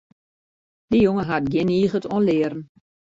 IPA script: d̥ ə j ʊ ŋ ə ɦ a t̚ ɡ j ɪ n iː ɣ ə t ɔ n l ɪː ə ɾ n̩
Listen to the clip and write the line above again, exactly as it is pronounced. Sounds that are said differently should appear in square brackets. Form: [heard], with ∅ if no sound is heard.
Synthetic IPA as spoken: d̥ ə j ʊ ŋ ə ɦ a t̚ ɡ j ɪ n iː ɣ ə t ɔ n l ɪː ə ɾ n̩